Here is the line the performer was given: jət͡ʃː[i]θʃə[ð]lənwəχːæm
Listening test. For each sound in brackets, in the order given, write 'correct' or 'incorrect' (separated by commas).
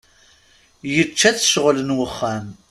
incorrect, incorrect